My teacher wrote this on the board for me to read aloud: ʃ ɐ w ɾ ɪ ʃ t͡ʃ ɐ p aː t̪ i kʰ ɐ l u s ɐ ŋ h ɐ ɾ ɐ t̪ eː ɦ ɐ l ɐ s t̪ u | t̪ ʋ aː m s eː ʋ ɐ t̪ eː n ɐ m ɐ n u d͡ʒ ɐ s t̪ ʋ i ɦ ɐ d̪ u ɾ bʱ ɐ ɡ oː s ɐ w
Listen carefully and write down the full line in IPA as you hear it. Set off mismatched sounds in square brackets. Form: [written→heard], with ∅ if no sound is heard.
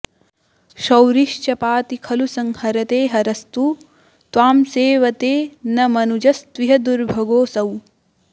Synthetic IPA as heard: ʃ ɐ w ɾ [ɪ→i] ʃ t͡ʃ ɐ p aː t̪ i kʰ ɐ l u s ɐ ŋ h ɐ ɾ ɐ t̪ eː ɦ ɐ [l→ɾ] ɐ s t̪ u | t̪ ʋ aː m s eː ʋ ɐ t̪ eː n ɐ m ɐ n u d͡ʒ ɐ s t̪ ʋ i ɦ ɐ d̪ u ɾ bʱ ɐ ɡ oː s ɐ w